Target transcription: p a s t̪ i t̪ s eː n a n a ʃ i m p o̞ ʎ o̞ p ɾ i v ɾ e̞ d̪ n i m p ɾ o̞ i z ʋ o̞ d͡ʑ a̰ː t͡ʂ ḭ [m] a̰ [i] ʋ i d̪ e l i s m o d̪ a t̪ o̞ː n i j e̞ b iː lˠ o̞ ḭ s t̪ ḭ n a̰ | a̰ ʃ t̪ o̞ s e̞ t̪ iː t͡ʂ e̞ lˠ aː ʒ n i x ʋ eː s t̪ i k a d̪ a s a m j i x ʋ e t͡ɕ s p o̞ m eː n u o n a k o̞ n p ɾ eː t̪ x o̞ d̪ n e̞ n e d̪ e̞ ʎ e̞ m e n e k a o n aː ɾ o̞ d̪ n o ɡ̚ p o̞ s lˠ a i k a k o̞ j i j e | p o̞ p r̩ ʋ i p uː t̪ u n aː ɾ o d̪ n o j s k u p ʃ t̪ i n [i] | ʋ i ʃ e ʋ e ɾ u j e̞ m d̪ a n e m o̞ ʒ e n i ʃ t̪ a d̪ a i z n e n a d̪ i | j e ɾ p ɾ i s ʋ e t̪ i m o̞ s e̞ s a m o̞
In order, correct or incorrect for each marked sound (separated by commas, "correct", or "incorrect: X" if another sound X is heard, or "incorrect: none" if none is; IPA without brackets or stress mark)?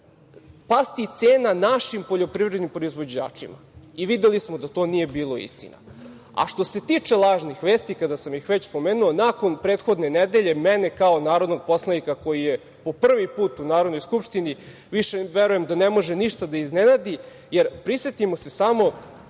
correct, correct, correct